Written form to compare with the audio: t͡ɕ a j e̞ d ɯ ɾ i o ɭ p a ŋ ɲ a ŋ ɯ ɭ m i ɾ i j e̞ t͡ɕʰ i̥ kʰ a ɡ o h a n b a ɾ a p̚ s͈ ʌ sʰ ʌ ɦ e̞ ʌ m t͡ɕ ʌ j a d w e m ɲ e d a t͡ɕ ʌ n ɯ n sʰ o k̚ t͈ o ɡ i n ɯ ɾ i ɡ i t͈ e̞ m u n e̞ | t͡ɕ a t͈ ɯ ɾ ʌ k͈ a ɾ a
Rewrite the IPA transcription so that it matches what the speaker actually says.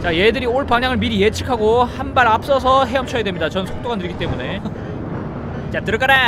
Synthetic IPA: t͡ɕ a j e̞ d ɯ ɾ i o ɭ p a ŋ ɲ a ŋ ɯ ɭ m i ɾ i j e̞ t͡ɕʰ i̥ kʰ a ɡ o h a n b a ɾ a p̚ s͈ ʌ sʰ ʌ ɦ e̞ ʌ m t͡ɕʰ ʌ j a d w e m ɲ i d a t͡ɕ ʌ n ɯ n sʰ o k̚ t͈ o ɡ a n ɯ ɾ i ɡ i t͈ e̞ m u n e̞ | t͡ɕ a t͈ ɯ ɾ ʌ k͈ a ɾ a